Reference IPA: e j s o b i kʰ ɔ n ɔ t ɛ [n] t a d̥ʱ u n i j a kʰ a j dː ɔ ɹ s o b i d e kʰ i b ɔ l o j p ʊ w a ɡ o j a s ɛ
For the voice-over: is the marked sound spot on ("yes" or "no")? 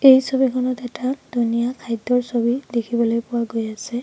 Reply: no